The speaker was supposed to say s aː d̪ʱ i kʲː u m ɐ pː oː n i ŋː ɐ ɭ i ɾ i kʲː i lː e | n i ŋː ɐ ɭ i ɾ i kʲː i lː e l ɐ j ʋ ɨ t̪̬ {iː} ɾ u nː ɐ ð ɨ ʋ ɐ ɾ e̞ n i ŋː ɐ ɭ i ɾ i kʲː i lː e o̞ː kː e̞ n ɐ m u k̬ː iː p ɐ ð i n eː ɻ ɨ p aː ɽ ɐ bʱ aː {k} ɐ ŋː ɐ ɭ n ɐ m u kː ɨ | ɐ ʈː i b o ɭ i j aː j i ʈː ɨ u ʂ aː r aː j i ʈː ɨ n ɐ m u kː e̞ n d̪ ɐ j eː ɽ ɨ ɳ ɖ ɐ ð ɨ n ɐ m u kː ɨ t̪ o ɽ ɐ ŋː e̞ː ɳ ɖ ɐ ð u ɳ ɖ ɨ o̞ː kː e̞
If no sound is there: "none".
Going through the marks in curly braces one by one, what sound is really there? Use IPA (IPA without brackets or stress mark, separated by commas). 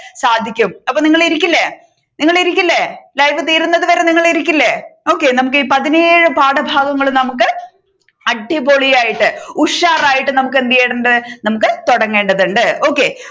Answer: iː, ɡ